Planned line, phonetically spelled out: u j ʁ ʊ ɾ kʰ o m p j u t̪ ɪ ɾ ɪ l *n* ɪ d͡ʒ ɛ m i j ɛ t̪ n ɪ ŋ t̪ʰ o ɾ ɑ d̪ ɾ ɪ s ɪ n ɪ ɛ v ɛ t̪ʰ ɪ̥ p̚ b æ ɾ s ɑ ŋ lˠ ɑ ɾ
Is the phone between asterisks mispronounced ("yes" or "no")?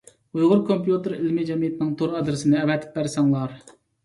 yes